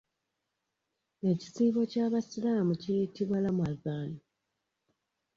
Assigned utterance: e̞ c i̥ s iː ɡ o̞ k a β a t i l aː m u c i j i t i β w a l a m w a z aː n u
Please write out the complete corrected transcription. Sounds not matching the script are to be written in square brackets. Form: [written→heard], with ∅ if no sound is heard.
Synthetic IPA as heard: e̞ c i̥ s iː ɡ o̞ [k→c] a β a [t→s] i l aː m u c i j i t i β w a l a m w a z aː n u